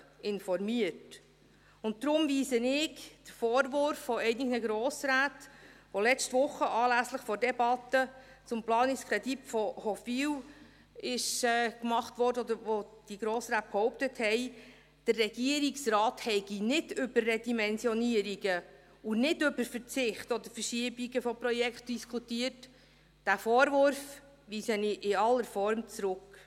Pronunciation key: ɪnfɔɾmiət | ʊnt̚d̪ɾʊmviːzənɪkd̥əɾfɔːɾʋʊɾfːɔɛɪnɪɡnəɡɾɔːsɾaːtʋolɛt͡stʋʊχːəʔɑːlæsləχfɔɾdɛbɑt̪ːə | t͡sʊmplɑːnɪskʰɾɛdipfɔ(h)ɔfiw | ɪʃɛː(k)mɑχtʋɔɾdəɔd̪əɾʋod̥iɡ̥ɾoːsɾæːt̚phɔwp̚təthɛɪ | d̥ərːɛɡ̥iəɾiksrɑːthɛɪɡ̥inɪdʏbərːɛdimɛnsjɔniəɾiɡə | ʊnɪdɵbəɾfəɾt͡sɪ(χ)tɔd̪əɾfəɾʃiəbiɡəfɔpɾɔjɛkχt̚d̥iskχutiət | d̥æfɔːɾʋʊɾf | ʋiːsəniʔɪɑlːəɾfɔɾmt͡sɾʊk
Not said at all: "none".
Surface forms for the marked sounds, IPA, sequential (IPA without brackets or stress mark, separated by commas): h, k, χ